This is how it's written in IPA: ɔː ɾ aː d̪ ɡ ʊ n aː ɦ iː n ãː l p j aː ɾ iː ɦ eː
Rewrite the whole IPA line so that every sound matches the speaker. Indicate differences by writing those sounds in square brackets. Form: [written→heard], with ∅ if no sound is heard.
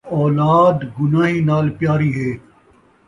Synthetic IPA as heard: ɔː [ɾ→l] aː d̪ ɡ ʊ n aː ɦ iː n [ãː→aː] l p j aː ɾ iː ɦ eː